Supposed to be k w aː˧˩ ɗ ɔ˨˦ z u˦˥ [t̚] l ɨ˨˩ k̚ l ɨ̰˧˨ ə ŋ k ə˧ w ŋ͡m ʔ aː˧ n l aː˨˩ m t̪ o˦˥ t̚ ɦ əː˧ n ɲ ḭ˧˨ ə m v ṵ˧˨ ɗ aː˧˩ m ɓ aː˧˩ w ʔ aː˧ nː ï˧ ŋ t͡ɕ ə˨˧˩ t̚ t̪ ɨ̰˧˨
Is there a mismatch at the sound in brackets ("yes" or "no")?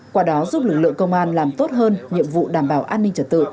yes